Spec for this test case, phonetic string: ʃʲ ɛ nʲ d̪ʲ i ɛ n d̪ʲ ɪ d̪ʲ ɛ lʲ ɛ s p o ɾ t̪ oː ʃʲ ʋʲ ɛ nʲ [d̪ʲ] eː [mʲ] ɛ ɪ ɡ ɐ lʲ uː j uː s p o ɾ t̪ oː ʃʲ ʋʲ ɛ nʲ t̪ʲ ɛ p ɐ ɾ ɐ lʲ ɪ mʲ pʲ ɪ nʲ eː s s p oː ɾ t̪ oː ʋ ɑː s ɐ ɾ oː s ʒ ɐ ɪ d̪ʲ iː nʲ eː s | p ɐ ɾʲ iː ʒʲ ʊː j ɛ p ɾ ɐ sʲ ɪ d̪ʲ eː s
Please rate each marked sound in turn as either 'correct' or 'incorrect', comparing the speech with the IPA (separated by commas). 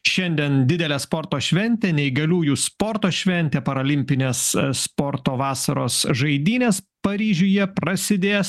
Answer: incorrect, incorrect